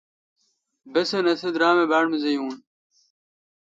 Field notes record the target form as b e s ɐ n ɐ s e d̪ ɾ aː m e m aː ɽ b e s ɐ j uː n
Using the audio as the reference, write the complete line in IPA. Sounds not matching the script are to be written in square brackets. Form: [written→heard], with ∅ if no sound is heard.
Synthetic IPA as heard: b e s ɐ n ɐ s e d̪ ɾ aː m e [m→b] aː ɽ [b→m] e [s→z] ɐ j uː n